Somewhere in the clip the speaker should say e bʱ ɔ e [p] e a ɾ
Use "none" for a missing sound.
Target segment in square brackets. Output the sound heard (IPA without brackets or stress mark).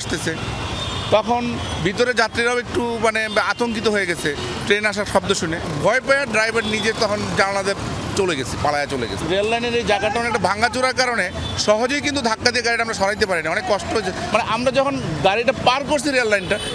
p